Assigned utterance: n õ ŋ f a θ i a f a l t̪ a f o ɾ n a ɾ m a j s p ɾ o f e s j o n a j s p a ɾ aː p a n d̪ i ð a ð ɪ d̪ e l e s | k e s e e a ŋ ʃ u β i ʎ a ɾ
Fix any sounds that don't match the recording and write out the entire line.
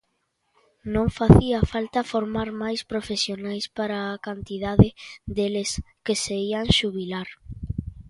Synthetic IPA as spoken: n õ ŋ f a θ i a f a l t̪ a f o ɾ m a ɾ m a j s p ɾ o f e s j o n a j s p a ɾ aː k a n t̪ i ð a ð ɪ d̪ e l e s | k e s e i a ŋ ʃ u β i l a ɾ